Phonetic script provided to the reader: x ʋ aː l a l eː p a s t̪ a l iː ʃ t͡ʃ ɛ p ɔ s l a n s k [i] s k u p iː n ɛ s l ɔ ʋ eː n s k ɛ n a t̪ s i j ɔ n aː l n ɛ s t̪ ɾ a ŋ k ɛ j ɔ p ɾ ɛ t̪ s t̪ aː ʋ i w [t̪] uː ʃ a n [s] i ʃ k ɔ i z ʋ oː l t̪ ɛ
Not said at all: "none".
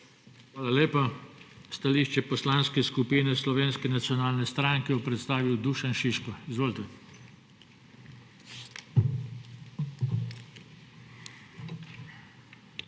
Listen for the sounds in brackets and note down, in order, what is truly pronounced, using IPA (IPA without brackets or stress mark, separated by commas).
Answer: ɛ, d̪, ʃ